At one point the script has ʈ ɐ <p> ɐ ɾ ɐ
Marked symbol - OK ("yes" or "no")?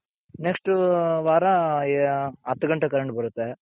no